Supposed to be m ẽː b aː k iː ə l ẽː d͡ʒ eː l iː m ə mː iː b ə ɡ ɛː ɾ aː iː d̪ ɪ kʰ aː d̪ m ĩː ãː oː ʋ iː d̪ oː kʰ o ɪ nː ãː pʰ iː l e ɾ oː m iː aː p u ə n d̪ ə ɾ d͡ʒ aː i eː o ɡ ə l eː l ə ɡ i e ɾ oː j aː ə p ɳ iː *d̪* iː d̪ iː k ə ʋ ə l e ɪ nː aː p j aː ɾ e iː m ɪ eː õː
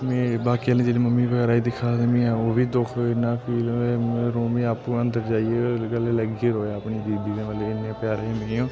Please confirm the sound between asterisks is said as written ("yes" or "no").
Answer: yes